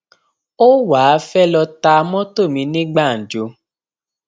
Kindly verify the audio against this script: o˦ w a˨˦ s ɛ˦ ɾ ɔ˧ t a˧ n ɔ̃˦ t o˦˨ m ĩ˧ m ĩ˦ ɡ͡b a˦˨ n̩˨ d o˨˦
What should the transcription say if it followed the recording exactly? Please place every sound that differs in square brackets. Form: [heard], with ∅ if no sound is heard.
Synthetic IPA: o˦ w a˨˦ [f] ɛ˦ [l] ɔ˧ t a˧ [m] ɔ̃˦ t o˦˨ m ĩ˧ [n] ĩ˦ ɡ͡b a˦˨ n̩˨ [d͡ʒ] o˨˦